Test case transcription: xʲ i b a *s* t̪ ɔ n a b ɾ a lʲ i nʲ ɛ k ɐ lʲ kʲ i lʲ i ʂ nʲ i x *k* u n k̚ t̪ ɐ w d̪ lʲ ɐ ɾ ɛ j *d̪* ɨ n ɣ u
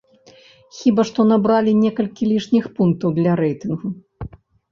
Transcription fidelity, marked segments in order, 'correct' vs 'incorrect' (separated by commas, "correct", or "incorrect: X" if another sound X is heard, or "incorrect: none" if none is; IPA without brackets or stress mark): incorrect: ʂ, incorrect: p, incorrect: t̪